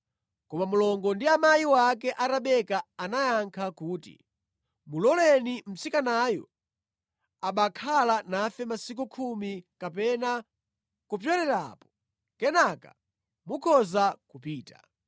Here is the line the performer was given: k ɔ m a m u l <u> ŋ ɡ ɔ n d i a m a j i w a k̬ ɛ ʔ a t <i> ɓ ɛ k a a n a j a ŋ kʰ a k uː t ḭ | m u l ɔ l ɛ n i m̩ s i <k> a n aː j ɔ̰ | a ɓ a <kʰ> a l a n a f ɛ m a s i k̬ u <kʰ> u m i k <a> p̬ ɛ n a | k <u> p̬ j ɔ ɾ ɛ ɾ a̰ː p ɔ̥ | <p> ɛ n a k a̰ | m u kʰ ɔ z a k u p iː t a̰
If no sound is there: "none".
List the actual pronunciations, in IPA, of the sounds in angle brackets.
ɔ, a, k, kʰ, kʰ, a, u, k

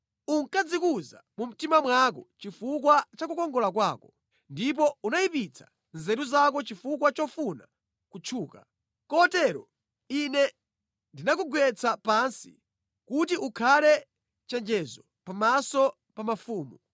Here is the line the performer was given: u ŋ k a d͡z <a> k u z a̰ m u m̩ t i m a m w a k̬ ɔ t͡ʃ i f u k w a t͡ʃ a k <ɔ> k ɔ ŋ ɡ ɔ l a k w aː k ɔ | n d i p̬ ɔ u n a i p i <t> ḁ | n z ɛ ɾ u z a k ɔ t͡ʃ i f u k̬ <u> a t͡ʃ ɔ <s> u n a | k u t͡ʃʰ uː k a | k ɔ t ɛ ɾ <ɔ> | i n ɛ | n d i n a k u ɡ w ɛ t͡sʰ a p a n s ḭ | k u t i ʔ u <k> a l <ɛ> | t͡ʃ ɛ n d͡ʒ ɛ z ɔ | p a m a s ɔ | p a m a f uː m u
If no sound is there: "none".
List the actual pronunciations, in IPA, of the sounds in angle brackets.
i, u, t͡sʰ, w, f, ɔ, kʰ, ɛ

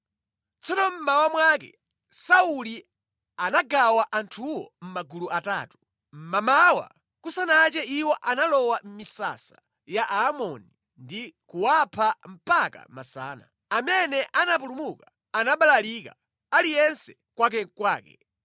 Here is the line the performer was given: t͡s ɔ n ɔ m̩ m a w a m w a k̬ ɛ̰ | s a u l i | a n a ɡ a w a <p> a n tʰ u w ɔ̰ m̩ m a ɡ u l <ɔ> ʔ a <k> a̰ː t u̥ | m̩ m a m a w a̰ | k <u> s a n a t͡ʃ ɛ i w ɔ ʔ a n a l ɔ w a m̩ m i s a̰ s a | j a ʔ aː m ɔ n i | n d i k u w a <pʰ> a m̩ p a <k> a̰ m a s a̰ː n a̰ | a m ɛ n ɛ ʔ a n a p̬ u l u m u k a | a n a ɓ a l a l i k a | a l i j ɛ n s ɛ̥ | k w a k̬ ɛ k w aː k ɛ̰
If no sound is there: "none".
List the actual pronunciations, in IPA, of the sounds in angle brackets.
ʔ, u, t, u, pʰ, k

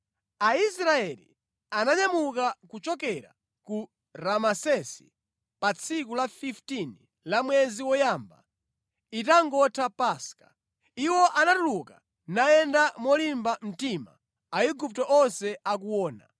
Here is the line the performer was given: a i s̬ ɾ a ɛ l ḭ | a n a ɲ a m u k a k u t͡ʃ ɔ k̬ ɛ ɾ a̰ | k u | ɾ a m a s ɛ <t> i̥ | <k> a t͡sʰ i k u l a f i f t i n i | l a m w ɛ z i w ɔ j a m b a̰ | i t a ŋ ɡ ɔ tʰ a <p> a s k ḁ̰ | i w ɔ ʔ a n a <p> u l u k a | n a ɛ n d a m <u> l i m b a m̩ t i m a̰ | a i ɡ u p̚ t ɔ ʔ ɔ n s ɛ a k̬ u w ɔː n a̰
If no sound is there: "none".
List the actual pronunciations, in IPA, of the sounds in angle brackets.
s, p, p, t, ɔ

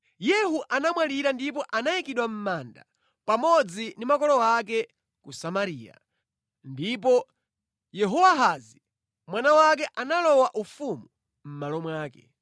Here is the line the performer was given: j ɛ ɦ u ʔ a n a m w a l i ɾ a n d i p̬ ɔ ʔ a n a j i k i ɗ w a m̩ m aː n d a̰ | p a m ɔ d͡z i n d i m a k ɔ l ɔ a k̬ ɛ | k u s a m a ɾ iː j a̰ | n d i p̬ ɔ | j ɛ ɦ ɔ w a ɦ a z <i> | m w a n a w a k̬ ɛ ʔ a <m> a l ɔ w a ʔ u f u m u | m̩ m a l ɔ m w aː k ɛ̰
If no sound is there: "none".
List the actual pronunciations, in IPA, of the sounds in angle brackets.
i, n

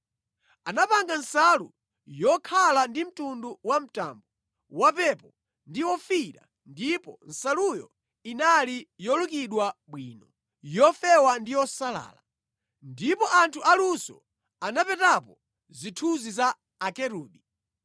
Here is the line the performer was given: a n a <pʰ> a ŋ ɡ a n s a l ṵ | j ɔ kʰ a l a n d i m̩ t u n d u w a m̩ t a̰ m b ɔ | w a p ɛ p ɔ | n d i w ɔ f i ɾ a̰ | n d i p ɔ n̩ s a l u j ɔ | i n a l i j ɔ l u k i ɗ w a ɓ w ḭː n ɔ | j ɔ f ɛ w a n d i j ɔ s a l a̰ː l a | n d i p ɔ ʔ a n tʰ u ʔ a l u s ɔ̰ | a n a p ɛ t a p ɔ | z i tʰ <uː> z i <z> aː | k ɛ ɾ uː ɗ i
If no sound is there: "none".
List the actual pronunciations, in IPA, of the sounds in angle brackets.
p, u, z

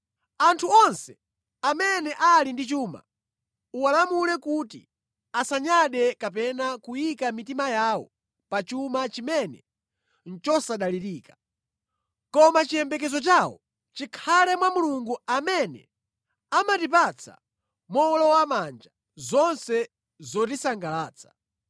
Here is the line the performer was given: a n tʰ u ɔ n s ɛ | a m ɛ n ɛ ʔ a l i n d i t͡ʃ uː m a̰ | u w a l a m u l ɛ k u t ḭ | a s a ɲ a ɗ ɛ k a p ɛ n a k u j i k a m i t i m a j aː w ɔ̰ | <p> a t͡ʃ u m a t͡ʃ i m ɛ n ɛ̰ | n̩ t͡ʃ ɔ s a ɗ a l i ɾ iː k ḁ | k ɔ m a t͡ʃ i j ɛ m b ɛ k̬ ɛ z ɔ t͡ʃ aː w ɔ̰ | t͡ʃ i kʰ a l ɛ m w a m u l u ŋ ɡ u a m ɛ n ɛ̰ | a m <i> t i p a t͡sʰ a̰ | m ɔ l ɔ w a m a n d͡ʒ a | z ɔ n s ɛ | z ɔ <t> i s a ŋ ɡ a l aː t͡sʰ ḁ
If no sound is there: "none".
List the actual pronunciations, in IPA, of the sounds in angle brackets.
p, a, t

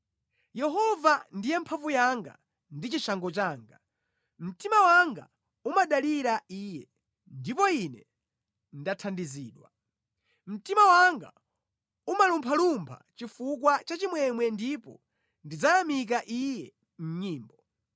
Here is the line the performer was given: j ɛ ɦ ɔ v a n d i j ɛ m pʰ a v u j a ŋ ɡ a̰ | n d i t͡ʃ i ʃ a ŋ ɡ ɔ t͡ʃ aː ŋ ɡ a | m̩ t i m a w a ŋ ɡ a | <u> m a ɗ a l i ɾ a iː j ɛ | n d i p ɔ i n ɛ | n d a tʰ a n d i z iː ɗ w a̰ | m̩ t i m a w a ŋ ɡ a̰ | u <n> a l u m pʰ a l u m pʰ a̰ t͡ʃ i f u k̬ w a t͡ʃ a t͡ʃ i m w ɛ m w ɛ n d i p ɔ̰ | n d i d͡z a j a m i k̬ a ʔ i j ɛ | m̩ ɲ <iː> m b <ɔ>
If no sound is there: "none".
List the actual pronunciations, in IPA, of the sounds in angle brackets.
u, m, iː, ɔ

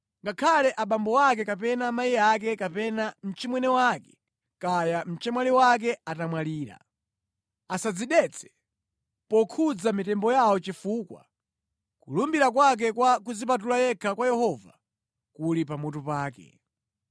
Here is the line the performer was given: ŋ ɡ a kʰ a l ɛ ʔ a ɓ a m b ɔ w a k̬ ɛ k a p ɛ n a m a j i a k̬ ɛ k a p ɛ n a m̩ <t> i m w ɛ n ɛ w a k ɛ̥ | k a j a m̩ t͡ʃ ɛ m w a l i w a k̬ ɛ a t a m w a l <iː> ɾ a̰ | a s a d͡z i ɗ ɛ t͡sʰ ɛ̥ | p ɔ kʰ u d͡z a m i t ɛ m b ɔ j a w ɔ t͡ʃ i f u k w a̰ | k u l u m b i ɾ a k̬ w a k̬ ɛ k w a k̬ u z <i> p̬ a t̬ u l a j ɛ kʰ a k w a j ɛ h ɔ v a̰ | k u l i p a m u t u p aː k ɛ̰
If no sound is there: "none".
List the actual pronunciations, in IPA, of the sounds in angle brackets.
t͡ʃ, iː, i

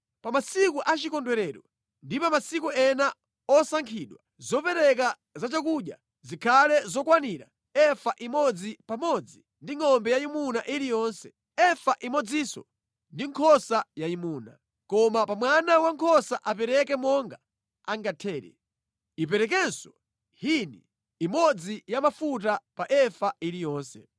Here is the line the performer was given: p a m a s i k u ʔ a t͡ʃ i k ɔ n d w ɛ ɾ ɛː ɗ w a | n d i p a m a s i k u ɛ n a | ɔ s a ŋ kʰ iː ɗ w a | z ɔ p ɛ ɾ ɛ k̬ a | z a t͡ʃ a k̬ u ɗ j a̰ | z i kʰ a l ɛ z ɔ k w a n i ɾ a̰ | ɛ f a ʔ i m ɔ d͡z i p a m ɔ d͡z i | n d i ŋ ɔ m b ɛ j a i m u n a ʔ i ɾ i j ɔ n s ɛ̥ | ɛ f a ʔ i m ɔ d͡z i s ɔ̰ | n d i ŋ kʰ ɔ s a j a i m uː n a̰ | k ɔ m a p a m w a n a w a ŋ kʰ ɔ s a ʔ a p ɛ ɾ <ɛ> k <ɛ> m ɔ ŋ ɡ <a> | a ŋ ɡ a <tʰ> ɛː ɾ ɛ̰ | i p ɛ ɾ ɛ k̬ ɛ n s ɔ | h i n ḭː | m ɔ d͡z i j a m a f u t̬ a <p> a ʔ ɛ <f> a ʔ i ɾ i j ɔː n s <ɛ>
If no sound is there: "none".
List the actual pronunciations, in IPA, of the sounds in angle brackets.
ɛ, ɛ, a, tʰ, p, f, ɛ

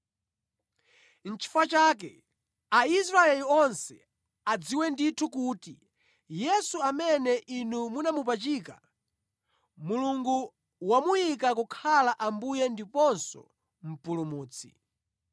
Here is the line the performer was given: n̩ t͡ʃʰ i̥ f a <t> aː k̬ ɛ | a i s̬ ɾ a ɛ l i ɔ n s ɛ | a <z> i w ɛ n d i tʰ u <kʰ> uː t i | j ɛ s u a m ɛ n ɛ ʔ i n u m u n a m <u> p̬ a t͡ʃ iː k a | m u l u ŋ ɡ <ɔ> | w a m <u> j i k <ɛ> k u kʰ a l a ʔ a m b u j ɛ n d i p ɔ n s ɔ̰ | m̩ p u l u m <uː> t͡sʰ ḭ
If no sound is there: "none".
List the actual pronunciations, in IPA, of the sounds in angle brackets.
t͡ʃ, d͡z, k, u, u, u, a, uː

